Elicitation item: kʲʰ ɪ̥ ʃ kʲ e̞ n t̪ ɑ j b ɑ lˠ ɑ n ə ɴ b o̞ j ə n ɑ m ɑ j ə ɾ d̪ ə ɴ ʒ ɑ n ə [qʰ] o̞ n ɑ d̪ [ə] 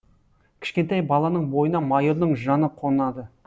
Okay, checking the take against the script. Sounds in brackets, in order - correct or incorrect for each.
correct, correct

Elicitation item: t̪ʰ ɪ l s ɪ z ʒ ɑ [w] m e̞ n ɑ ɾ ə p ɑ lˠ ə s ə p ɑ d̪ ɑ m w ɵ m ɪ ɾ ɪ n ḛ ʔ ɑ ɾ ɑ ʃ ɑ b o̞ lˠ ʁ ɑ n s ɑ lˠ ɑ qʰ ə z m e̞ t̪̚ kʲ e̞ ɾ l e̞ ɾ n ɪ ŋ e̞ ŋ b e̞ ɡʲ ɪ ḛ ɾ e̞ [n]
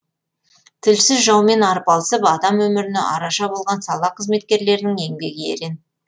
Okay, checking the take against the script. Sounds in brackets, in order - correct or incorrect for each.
correct, correct

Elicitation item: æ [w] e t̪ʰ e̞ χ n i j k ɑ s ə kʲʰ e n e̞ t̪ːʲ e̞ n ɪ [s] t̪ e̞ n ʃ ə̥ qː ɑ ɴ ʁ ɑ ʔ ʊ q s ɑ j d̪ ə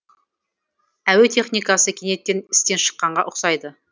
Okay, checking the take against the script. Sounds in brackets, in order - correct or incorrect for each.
correct, correct

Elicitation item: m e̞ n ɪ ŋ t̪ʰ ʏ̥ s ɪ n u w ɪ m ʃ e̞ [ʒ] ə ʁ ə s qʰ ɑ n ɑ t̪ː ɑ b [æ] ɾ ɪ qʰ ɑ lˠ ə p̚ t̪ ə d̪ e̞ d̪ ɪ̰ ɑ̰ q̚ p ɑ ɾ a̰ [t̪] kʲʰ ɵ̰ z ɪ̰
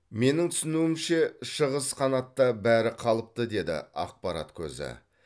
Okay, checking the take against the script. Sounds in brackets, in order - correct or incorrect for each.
incorrect: ʃ, correct, correct

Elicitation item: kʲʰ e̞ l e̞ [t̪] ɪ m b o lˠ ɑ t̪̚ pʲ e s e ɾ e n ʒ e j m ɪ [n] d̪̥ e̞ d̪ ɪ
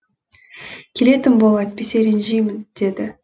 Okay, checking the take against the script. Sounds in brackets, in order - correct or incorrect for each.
correct, correct

